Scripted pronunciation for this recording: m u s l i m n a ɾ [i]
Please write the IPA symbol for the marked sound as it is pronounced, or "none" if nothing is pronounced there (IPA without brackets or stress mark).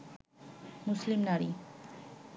i